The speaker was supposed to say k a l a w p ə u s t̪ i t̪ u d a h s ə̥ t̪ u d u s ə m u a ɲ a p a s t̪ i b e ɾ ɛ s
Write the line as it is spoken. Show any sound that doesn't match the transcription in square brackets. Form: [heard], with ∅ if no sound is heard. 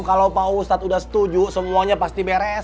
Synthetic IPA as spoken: k a l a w p [a] u s t̪ [a] t̪ u d a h s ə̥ t̪ u [d͡ʒ] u s ə m u a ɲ a p a s t̪ i b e ɾ ɛ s